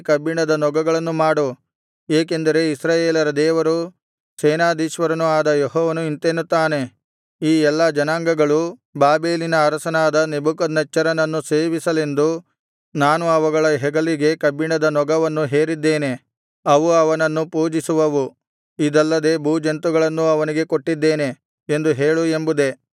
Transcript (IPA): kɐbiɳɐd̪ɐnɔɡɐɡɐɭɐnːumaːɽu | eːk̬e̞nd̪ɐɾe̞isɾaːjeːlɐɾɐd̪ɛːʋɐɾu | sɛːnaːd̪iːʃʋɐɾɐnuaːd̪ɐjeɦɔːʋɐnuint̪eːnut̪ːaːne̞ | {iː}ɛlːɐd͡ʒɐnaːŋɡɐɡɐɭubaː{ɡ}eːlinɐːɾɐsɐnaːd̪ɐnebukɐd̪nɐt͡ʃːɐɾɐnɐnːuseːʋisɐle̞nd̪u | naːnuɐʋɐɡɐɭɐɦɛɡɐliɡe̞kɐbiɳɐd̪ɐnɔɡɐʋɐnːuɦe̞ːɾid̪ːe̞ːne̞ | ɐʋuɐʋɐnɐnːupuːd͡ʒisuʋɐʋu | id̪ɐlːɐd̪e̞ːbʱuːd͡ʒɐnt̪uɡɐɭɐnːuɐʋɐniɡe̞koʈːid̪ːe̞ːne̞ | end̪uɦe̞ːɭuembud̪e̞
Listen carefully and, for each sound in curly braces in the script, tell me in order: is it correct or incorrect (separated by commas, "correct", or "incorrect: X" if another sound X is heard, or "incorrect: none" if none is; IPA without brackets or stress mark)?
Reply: correct, incorrect: b